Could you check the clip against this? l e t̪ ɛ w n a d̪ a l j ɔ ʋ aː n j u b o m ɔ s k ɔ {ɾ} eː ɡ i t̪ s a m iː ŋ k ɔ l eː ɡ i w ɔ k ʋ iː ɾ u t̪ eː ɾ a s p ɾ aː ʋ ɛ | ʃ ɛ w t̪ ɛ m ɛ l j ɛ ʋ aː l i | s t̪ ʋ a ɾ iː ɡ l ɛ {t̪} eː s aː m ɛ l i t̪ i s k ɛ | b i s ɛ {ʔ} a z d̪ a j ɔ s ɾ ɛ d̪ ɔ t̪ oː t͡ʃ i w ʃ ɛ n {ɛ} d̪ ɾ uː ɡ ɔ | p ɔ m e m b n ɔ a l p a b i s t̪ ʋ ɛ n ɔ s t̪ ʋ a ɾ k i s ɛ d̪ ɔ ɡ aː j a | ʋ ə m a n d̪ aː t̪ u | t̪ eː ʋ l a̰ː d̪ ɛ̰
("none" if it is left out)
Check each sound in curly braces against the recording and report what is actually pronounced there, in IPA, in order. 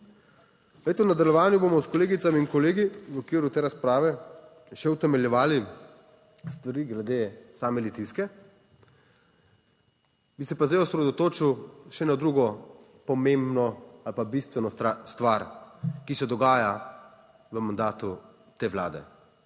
l, d̪, p, a

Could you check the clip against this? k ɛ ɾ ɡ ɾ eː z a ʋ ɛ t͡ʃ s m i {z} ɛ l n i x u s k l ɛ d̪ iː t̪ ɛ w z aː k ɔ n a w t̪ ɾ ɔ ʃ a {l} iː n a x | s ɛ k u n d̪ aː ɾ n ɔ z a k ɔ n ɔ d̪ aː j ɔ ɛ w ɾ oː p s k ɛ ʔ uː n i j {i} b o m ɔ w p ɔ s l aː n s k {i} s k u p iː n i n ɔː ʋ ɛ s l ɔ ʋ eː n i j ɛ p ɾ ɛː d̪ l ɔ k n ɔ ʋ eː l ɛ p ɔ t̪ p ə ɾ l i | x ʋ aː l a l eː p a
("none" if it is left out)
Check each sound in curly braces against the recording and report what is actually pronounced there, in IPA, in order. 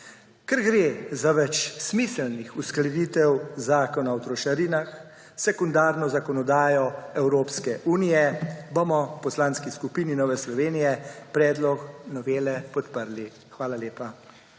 s, ɾ, ɛ, i

